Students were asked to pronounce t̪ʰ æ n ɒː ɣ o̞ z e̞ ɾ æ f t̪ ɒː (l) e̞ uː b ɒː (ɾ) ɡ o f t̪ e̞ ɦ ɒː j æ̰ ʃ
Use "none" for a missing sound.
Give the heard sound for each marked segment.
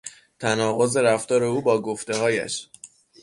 ɾ, none

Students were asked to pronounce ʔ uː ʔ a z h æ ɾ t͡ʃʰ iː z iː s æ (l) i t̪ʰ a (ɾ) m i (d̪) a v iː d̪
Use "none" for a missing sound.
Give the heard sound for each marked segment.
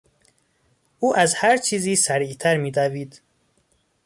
ɾ, ɾ, d̪

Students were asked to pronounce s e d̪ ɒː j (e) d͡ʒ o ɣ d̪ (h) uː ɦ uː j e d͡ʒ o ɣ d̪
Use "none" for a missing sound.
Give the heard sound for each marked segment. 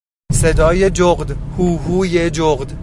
e, h

